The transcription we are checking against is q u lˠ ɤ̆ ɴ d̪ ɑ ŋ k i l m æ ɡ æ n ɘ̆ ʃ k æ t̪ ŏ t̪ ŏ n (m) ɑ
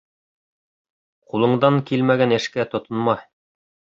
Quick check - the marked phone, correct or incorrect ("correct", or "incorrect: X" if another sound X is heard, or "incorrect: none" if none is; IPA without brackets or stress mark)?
correct